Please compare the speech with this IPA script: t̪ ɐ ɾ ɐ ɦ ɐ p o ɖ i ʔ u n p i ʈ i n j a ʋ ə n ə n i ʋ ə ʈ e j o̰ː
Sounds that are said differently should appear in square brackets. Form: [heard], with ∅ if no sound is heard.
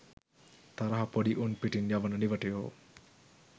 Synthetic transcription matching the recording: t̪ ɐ ɾ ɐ ɦ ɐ p o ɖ i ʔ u n p i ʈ i n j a ʋ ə n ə n i ʋ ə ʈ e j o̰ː